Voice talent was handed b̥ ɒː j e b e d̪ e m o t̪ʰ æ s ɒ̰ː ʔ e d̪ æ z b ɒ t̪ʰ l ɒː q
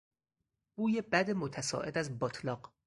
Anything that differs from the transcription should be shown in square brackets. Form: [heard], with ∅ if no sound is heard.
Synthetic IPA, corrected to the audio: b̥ [uː] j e b [æ] d̪ e m o t̪ʰ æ s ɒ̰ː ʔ e d̪ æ z b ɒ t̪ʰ l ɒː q